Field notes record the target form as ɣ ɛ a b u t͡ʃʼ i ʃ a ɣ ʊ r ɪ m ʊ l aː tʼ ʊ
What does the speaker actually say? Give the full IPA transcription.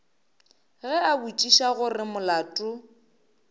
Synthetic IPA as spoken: ɣ ɛ a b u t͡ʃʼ i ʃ a ɣ ʊ r ɪ m ʊ l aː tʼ ʊ

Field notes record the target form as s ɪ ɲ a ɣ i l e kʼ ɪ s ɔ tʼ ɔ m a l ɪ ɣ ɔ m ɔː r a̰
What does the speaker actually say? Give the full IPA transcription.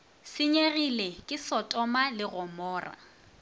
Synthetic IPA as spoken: s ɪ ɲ e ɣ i l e kʼ ɪ s ɔ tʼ ɔ m a l ɪ ɣ ɔ m ɔː r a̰

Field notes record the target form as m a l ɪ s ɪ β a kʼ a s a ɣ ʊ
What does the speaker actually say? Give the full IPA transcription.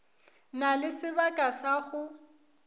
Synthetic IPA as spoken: n a l ɪ s ɪ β a kʼ a s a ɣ ʊ

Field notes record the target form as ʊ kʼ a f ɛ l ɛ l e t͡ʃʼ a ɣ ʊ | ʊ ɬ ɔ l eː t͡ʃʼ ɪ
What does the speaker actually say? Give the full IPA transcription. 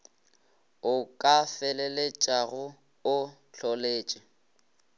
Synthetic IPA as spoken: ʊ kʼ a f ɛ l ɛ l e t͡ʃʼ a ɣ ʊ | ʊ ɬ ɔ l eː t͡ʃʼ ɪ

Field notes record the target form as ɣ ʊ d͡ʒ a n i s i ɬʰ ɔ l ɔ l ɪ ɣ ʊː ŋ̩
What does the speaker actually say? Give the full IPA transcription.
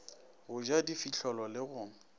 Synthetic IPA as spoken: ɣ ʊ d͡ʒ a d i f i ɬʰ ɔ l ɔ l ɪ ɣ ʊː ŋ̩

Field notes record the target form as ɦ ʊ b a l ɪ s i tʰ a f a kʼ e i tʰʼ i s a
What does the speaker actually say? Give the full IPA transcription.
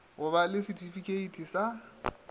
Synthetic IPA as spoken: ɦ ʊ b a l ɪ s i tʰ i f i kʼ e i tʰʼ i s a

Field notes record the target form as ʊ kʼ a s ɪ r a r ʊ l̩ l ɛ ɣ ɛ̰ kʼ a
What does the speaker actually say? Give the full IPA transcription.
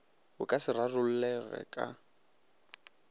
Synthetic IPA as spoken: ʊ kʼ a s ɪ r a r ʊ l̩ l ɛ ɣ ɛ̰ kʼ a

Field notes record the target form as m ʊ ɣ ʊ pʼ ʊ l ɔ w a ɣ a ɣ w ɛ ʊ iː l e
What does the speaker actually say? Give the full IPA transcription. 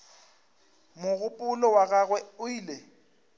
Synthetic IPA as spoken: m ʊ ɣ ʊ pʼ ʊ l ɔ w a ɣ a ɣ w ɛ ʊ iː l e

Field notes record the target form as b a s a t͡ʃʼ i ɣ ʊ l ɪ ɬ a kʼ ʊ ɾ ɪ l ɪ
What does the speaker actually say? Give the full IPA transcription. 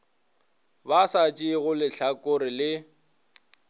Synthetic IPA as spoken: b a s a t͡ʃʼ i ɣ ʊ l ɪ ɬ a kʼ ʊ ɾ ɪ l ɪ

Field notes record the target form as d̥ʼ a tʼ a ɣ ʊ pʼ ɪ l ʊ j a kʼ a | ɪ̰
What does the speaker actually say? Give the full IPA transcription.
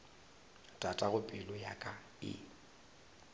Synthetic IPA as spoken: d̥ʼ a tʼ a ɣ ʊ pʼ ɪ l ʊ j a kʼ a | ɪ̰

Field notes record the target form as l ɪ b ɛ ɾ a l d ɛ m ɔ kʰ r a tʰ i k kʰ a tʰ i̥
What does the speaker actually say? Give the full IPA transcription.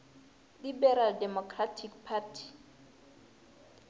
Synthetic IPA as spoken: l i b ɛ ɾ a l d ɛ m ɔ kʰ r a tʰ i k pʰ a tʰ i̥

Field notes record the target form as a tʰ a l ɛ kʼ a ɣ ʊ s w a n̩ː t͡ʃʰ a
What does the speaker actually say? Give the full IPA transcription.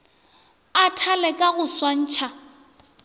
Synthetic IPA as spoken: a tʰ a l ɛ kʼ a ɣ ʊ s w a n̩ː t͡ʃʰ a

